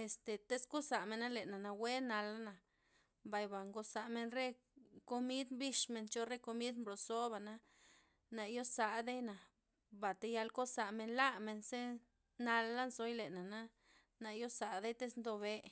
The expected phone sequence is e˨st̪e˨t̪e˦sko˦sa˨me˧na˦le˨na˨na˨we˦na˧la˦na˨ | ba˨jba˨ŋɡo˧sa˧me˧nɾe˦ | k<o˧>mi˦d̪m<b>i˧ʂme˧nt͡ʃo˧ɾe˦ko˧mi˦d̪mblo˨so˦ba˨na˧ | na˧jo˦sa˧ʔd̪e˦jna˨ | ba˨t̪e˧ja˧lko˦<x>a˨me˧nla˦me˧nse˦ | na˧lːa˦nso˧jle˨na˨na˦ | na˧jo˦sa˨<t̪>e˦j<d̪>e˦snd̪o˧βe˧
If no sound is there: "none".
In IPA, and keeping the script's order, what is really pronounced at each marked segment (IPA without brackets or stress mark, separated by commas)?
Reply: o˧, b, s, d̪, t̪